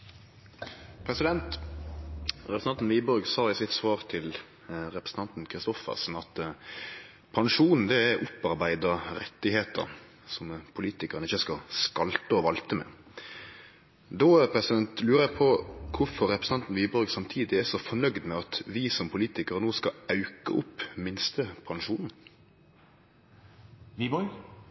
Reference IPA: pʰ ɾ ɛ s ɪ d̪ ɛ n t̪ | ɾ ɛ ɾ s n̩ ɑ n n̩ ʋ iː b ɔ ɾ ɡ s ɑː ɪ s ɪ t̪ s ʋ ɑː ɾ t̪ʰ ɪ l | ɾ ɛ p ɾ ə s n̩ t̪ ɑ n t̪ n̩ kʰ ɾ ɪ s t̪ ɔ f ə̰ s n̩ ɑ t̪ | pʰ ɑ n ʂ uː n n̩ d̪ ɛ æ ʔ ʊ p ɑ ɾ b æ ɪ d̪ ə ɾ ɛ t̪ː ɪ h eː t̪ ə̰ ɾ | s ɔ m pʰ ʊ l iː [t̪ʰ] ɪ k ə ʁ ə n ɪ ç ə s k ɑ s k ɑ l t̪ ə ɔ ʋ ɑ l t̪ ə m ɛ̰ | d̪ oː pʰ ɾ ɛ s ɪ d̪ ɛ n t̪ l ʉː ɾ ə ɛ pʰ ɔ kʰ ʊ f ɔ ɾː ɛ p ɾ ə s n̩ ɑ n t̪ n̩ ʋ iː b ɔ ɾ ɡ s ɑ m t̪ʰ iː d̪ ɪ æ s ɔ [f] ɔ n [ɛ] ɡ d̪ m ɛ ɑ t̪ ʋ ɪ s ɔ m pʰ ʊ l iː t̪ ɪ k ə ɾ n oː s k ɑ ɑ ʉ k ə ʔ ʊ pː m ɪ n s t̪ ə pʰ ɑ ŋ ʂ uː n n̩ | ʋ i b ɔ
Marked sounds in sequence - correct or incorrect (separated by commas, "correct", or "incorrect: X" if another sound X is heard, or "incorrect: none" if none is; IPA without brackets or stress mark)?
incorrect: t̪, correct, incorrect: œ